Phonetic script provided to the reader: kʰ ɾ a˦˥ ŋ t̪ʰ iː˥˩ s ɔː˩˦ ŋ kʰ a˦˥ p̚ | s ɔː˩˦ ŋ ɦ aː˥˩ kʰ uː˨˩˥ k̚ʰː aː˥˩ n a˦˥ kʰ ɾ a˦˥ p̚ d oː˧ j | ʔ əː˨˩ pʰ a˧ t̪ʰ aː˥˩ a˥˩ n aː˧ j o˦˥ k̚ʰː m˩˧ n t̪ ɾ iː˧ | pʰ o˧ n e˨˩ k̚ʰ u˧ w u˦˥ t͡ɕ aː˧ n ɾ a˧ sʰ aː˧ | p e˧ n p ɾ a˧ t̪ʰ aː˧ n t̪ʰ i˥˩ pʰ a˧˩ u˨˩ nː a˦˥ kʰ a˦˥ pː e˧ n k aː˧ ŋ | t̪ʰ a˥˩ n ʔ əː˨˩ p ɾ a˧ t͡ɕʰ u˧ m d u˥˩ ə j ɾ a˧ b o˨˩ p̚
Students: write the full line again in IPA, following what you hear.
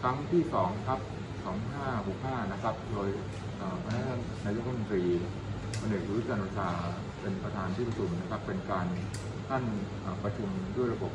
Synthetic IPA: kʰ ɾ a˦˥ ŋ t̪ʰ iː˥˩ s ɔː˩˦ ŋ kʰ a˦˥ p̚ | s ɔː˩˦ ŋ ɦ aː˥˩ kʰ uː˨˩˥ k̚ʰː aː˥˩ n a˦˥ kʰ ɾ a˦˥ p̚ d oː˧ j | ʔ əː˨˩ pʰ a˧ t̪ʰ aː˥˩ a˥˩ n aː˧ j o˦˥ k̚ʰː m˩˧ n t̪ ɾ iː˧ | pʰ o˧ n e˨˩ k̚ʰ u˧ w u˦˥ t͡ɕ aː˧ n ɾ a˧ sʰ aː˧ | p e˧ n p ɾ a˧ t̪ʰ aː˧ n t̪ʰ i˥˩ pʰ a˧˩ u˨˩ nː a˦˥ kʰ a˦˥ pː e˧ n k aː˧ n | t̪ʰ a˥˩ n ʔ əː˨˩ p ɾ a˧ t͡ɕʰ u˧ m d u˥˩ ə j ɾ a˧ b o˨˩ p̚